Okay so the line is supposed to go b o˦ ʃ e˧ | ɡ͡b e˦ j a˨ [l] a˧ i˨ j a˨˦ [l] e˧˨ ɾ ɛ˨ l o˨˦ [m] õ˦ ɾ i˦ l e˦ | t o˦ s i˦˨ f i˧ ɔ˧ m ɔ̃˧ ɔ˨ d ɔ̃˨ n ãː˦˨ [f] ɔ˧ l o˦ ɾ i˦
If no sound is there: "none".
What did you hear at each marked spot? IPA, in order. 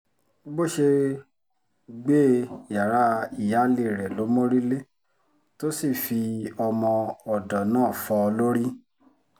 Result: ɾ, l, m, f

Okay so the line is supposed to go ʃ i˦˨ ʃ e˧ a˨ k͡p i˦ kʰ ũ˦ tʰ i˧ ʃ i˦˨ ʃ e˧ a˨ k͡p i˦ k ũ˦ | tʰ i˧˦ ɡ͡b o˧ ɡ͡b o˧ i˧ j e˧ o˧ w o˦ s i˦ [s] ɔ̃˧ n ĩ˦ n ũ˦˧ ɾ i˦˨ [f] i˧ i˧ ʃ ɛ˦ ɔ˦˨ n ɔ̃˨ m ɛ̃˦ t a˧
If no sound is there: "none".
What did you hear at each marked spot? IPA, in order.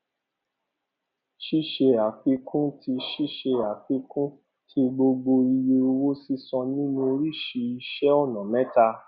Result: s, ʃ

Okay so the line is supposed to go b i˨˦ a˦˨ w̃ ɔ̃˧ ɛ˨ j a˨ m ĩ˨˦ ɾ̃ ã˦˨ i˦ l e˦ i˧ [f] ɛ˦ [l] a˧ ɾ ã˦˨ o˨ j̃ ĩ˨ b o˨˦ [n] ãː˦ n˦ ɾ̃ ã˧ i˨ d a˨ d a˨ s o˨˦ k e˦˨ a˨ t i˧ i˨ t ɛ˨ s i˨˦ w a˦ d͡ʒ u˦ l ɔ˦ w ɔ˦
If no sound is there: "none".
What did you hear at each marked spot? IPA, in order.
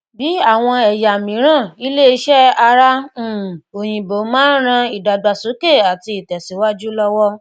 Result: ʃ, none, m

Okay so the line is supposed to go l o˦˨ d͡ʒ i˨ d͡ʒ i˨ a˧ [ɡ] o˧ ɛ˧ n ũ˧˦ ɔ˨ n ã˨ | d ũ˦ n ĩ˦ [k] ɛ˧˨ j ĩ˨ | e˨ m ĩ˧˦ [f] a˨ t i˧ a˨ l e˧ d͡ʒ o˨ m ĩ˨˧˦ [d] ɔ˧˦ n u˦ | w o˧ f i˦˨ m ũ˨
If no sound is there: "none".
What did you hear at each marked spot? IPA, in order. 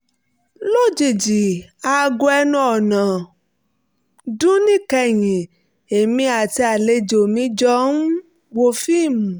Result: ɡ, k, none, d͡ʒ

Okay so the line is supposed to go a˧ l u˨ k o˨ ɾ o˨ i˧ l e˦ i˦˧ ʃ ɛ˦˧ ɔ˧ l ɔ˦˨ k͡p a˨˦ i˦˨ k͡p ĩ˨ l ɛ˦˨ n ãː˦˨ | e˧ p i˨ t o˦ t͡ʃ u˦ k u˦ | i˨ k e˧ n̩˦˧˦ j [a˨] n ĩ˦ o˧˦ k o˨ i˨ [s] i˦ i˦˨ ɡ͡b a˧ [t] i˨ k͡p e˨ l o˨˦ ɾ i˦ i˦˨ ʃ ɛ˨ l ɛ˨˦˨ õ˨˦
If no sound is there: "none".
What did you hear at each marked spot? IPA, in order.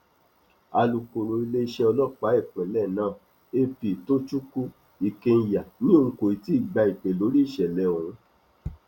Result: a˨, t, none

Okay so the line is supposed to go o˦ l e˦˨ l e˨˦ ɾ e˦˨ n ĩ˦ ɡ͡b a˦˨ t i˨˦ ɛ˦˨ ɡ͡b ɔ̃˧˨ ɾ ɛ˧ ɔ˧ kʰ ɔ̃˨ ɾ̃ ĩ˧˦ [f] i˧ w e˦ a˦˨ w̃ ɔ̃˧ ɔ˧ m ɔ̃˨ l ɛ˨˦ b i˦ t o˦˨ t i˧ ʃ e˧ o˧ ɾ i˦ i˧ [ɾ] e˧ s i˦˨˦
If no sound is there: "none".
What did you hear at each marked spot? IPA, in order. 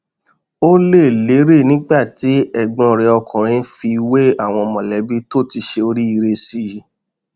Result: f, ɾ

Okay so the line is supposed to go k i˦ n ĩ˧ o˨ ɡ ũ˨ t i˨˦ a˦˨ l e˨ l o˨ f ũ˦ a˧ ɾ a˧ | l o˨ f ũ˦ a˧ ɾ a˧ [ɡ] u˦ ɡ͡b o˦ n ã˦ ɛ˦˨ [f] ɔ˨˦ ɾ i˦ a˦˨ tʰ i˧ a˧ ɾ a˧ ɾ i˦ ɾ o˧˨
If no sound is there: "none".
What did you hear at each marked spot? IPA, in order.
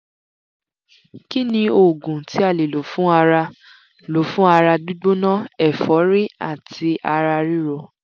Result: d, f

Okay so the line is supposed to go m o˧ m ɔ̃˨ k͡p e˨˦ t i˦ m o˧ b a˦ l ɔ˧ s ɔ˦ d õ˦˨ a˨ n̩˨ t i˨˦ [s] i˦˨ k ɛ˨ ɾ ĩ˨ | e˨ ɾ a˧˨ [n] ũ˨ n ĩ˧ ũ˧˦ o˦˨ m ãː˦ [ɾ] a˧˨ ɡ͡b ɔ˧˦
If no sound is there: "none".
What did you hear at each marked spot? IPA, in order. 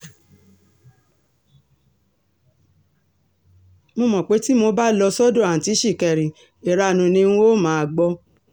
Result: ʃ, n, none

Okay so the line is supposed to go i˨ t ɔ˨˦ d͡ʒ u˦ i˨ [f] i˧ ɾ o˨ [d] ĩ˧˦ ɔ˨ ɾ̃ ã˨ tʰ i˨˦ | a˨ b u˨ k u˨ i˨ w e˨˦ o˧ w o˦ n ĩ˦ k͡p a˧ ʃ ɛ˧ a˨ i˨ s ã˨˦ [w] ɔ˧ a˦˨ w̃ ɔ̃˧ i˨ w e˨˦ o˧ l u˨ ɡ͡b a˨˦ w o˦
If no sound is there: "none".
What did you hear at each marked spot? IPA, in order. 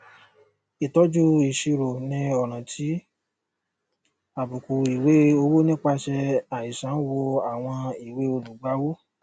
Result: ʃ, n, w

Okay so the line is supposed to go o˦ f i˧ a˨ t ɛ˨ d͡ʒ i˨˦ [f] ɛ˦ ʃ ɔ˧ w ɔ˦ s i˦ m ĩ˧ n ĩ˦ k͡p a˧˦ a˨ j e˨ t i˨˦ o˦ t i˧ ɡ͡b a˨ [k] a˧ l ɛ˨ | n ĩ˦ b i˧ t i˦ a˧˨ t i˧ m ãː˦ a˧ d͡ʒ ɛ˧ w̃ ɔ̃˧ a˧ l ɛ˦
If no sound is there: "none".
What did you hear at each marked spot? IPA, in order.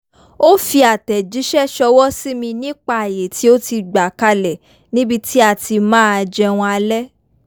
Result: ʃ, k

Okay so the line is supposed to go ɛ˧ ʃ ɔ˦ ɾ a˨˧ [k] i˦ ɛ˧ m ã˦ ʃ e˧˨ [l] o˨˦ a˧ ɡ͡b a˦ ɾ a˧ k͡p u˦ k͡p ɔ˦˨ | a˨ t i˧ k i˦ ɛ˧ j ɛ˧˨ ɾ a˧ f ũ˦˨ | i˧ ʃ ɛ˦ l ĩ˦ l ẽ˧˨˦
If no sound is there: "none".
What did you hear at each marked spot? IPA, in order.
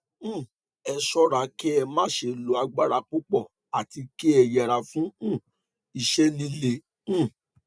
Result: k, l

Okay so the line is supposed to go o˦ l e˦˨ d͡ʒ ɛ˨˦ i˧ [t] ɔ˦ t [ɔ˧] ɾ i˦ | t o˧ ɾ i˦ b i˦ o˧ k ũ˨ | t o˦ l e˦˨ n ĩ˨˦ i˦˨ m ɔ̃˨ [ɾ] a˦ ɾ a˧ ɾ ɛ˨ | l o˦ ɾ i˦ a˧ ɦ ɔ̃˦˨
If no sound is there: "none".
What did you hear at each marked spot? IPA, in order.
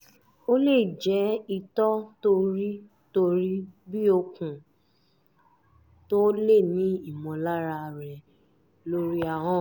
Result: t, o˧, l

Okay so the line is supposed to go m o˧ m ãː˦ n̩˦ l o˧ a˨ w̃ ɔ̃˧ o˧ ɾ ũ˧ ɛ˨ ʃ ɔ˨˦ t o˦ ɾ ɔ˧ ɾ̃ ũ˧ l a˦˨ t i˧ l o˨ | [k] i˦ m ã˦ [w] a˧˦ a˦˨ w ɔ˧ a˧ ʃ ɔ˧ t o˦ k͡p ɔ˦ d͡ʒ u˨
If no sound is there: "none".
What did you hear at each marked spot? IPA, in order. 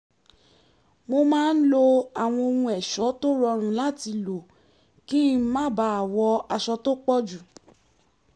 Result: k, b

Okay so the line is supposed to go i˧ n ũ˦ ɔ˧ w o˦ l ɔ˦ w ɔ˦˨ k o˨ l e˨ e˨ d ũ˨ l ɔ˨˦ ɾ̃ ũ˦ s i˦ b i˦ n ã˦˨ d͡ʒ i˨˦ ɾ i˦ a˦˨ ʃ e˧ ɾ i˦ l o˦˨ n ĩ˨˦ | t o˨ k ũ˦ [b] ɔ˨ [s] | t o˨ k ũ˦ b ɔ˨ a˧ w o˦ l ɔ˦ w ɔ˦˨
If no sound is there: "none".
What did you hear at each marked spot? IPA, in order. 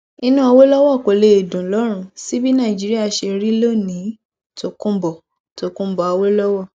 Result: b, none

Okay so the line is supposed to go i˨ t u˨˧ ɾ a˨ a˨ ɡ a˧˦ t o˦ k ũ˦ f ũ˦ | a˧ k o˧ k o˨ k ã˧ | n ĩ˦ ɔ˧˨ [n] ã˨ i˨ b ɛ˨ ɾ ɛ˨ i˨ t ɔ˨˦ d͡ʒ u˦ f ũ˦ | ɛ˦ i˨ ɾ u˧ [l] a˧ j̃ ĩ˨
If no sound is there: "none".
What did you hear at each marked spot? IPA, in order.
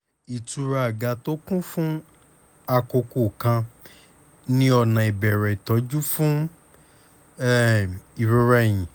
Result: n, ɾ

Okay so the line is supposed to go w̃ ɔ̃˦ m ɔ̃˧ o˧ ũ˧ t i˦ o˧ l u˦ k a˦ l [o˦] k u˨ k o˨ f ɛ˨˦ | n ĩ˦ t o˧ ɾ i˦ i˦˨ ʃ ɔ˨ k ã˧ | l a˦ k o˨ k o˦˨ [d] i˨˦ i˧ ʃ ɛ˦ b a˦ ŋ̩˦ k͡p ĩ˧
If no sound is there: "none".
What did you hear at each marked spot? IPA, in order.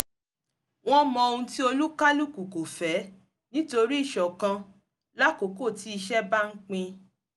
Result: u˦, t

